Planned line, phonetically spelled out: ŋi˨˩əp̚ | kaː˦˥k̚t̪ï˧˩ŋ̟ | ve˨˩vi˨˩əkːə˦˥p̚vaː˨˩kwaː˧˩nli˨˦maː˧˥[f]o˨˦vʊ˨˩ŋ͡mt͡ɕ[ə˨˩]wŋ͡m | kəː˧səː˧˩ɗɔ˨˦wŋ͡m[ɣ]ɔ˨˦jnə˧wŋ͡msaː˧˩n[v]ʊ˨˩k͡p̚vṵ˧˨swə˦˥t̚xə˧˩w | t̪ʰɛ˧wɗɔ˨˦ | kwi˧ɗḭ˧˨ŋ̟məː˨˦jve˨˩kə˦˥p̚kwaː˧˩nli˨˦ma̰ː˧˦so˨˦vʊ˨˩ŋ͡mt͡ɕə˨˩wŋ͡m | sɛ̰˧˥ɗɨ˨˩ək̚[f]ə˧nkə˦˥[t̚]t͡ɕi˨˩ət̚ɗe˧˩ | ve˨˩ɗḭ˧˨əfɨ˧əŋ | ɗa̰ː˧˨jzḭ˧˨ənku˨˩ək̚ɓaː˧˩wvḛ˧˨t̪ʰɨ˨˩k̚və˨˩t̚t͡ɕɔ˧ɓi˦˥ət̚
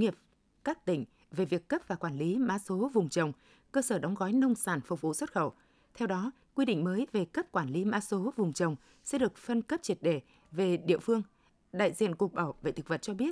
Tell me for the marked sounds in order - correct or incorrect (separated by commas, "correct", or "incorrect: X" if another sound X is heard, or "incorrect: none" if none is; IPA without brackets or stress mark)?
incorrect: s, correct, correct, incorrect: f, correct, incorrect: p̚